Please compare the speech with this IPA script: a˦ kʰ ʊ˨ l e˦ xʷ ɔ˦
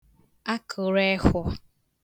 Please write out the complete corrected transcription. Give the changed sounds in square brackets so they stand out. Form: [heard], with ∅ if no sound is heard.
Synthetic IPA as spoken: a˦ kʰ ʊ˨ [ɾ] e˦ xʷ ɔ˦